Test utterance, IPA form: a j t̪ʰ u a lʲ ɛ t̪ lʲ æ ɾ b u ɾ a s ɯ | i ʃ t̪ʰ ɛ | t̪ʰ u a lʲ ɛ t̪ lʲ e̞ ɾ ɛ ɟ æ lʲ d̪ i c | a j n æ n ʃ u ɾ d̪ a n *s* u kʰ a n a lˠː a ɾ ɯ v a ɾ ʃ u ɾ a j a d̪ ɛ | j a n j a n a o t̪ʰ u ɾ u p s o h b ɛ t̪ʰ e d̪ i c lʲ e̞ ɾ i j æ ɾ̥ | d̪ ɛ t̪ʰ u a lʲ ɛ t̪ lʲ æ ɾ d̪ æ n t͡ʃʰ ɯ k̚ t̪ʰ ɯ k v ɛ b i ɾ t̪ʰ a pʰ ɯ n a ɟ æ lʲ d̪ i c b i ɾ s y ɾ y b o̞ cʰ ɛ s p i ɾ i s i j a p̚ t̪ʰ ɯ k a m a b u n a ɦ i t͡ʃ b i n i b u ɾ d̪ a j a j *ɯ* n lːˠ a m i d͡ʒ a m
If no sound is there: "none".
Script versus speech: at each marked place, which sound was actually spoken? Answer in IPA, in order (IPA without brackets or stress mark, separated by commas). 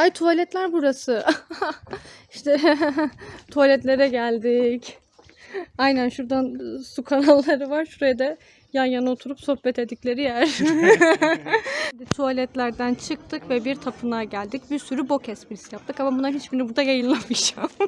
s, ɯ